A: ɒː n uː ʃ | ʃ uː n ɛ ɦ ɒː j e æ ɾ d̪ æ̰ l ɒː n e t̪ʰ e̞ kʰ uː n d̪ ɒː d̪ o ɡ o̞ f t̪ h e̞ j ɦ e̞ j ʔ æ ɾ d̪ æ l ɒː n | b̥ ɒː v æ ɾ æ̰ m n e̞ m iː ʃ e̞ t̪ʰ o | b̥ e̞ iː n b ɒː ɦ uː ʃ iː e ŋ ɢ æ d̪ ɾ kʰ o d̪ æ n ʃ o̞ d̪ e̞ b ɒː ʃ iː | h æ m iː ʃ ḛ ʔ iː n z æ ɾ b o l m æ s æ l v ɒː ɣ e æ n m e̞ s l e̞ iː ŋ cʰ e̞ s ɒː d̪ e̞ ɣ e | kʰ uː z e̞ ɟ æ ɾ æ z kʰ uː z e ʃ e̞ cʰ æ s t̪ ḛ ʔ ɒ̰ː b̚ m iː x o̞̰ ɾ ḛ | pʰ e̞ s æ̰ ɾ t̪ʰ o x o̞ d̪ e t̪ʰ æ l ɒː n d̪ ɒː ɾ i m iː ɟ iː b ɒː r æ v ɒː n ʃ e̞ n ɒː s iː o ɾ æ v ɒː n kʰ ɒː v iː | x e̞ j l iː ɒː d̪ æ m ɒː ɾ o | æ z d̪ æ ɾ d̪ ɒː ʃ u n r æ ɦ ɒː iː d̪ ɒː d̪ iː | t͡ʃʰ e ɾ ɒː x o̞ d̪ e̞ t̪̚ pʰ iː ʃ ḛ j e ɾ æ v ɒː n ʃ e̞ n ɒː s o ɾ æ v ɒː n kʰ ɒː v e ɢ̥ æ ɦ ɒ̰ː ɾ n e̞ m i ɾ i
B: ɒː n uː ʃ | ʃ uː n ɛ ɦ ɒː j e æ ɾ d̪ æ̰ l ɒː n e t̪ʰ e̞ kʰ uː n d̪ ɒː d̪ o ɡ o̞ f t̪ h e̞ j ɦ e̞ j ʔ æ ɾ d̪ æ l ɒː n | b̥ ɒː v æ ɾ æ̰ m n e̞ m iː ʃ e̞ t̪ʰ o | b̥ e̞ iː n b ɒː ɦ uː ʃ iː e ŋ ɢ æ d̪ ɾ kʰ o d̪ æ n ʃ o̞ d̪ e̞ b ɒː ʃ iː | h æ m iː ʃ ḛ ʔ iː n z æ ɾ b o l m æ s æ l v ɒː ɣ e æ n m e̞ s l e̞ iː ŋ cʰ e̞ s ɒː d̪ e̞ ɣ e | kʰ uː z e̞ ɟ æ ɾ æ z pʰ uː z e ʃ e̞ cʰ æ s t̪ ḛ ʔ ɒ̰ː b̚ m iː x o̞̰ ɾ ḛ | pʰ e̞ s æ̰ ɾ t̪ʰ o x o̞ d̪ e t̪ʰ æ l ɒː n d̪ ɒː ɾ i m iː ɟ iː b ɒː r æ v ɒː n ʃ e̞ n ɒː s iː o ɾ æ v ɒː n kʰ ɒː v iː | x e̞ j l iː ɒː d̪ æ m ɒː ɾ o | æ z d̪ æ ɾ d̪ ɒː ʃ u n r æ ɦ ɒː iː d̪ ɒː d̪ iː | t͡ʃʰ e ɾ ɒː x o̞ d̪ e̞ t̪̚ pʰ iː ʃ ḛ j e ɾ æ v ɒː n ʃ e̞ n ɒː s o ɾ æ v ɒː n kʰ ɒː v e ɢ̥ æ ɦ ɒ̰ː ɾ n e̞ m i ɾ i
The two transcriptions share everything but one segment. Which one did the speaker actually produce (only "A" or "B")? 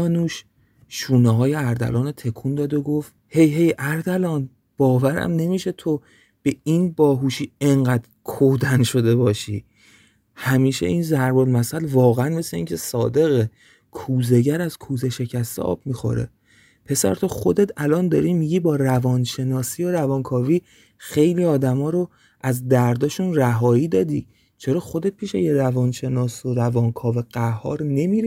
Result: A